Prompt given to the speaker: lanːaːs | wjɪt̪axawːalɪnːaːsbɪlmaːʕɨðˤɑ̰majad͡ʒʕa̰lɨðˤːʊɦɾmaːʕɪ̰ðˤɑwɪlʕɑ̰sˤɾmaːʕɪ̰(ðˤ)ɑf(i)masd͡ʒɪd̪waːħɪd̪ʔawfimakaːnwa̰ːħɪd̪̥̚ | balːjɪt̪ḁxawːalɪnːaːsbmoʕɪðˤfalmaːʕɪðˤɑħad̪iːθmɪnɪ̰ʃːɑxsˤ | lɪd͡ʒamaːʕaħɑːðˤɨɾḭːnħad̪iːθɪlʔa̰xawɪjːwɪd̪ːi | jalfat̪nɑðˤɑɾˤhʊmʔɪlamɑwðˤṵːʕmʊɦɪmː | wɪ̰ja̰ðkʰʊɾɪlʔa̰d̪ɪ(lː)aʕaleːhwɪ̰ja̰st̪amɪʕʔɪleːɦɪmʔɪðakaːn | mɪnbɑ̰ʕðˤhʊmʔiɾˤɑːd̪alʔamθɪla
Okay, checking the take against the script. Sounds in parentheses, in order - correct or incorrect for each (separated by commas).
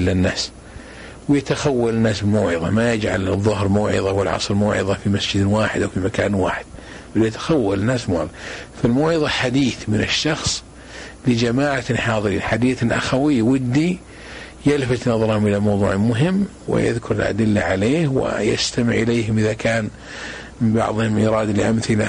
correct, correct, correct